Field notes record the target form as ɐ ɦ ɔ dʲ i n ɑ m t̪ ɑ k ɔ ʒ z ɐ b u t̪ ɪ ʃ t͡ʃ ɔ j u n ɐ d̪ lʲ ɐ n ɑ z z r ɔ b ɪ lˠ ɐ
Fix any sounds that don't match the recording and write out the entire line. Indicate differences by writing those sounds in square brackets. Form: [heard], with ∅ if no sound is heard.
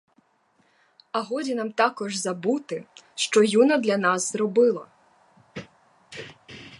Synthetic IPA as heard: ɐ ɦ ɔ dʲ i n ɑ m t̪ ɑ k ɔ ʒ z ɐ b u t̪ ɪ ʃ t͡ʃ ɔ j u n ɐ d̪ lʲ ɐ n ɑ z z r ɔ b ɪ lˠ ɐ